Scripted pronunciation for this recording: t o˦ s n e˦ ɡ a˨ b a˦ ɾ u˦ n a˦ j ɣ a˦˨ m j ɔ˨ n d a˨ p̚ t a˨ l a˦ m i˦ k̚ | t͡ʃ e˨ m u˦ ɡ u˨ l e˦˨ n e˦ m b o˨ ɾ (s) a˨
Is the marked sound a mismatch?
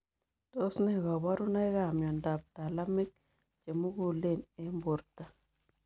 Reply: yes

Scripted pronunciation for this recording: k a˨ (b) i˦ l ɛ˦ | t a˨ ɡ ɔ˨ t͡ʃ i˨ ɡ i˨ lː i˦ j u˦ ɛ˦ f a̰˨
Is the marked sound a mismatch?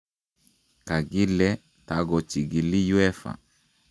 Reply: yes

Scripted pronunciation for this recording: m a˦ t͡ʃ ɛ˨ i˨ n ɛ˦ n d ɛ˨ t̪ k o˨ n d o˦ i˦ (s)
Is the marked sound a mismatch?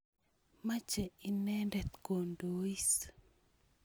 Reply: no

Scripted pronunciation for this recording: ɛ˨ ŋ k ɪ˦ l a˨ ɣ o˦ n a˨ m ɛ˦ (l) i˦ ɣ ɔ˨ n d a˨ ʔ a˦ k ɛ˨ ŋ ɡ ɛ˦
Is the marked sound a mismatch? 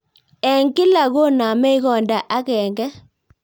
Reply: yes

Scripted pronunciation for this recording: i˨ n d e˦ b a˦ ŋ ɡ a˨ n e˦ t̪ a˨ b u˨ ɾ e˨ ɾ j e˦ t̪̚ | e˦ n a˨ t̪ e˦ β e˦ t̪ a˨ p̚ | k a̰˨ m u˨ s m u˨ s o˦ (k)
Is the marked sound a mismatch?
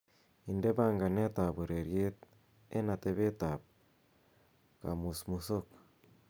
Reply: no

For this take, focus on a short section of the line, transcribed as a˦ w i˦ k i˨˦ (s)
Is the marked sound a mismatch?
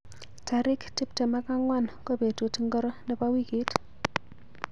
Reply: yes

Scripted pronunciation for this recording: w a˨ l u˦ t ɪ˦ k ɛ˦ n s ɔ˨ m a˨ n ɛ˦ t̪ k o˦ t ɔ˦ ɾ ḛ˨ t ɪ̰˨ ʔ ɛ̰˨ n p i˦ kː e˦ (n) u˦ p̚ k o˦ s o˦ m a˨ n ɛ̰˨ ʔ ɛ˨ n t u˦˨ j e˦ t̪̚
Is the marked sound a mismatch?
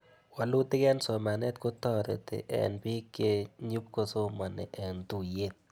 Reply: yes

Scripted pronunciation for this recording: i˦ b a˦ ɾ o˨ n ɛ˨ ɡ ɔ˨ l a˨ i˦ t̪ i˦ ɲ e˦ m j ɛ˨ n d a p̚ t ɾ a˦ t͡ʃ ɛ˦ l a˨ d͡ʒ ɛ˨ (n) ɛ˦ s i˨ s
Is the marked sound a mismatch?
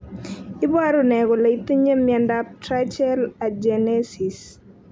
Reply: no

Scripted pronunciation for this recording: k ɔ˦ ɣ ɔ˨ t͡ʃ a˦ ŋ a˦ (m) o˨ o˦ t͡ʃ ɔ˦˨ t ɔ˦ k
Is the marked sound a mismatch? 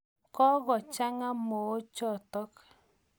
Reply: no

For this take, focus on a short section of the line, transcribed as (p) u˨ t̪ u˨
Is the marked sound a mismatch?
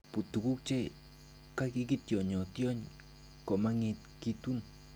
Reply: no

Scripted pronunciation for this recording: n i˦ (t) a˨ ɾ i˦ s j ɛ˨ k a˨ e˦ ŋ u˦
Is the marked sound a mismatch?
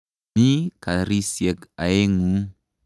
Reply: yes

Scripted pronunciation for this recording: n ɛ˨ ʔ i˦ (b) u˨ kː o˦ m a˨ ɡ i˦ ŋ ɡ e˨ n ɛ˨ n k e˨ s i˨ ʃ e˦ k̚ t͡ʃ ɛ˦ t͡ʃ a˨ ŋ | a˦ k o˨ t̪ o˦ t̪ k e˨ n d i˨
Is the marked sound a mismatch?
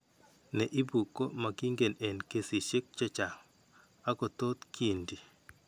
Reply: no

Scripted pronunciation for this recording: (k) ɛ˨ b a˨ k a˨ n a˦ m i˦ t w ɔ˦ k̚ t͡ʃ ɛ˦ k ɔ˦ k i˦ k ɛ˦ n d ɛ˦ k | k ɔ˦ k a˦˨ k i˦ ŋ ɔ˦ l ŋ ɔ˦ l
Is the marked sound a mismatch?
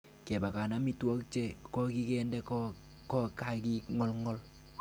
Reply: no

